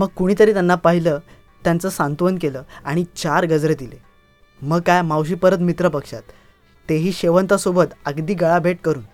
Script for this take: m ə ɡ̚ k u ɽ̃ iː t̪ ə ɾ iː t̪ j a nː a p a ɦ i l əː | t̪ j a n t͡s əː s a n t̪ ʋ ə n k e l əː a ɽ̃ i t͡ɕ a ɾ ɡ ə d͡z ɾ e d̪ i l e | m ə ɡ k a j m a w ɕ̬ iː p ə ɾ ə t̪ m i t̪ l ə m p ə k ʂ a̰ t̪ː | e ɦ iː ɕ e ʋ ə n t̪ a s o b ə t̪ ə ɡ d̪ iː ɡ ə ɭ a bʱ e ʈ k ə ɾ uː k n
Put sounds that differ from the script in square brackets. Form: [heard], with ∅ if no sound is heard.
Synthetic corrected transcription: m ə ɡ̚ k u ɽ̃ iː t̪ ə ɾ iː t̪ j a nː a p a ɦ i l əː | t̪ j a n t͡s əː s a n t̪ ʋ ə n k e l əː a ɽ̃ i t͡ɕ a ɾ ɡ ə d͡z ɾ e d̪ i l e | m ə ɡ k a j m a w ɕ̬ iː p ə ɾ ə t̪ m i t̪ [ɾ] ə [∅] p ə k ʂ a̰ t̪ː | e ɦ iː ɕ e ʋ ə n t̪ a s o b ə t̪ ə ɡ d̪ iː ɡ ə ɭ a bʱ e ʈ k ə ɾ uː [∅] n